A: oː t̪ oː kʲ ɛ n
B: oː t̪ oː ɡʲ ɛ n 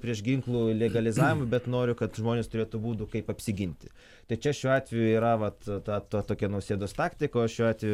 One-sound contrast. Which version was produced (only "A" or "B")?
A